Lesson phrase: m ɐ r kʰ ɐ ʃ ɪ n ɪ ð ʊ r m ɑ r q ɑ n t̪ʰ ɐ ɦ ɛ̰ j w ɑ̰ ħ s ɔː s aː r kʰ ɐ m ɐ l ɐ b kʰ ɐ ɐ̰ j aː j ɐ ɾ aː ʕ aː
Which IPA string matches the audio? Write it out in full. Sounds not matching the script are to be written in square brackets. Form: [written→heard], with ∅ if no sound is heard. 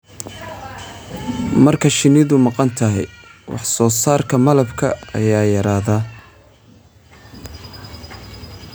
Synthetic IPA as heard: m ɐ r kʰ ɐ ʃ ɪ n ɪ ð ʊ [r→∅] m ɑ [r→∅] q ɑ n t̪ʰ ɐ ɦ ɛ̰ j w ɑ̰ ħ s ɔː s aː r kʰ ɐ m ɐ l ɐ b kʰ ɐ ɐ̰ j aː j ɐ ɾ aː [ʕ→ð] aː